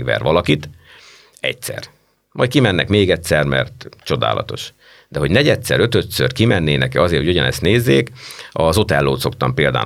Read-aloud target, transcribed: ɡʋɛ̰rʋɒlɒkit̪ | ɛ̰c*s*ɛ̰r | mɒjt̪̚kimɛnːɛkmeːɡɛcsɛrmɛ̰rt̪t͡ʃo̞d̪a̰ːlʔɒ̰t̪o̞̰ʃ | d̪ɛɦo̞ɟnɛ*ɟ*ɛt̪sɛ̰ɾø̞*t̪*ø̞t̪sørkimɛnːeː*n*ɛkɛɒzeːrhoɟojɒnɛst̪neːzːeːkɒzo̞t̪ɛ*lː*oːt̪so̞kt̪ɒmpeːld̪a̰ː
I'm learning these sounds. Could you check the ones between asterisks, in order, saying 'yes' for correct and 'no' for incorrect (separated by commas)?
yes, yes, yes, yes, yes